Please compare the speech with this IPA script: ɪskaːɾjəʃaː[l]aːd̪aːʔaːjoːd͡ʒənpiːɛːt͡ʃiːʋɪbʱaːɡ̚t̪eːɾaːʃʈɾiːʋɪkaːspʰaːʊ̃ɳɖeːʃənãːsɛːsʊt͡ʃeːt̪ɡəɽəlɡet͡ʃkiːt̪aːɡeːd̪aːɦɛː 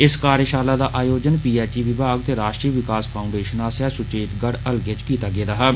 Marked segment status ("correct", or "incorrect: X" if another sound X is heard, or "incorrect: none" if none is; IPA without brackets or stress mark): correct